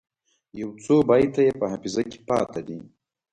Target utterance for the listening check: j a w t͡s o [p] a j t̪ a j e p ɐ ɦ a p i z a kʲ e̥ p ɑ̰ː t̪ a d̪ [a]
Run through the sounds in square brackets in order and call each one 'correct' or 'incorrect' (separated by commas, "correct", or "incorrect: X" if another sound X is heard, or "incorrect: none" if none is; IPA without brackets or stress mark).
incorrect: b, incorrect: i